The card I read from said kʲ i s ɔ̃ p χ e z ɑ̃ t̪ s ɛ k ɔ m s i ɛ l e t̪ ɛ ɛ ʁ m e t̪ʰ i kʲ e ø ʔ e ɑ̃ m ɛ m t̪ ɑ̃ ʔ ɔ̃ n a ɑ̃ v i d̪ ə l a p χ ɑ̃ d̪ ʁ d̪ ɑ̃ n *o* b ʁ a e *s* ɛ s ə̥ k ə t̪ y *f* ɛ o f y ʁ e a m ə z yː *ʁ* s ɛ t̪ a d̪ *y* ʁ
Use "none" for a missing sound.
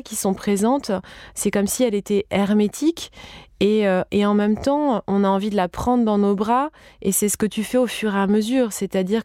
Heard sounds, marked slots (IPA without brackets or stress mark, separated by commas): o, s, f, ʁ, i